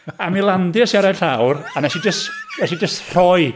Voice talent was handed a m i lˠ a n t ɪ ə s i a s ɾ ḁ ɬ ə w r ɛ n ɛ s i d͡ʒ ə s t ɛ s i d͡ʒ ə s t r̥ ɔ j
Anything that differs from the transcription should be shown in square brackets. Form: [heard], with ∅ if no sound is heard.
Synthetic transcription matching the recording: a m i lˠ a n [d] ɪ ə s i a [∅] ɾ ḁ ɬ [a] w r [a] n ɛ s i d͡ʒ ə s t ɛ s i d͡ʒ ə s t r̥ ɔ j